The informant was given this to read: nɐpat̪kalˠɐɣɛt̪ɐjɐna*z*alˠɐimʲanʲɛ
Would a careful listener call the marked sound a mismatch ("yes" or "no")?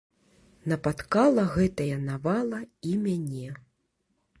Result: yes